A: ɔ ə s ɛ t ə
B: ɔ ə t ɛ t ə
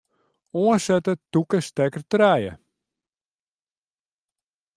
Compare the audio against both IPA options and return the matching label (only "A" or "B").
A